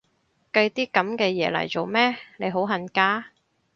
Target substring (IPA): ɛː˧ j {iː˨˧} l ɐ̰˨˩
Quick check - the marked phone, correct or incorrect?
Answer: incorrect: ɛː˨˧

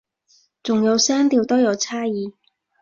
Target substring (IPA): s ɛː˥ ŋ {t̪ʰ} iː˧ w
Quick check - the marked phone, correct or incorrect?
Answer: incorrect: t̪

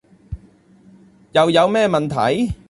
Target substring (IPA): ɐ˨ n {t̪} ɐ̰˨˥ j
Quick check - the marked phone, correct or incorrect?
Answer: incorrect: t̪ʰ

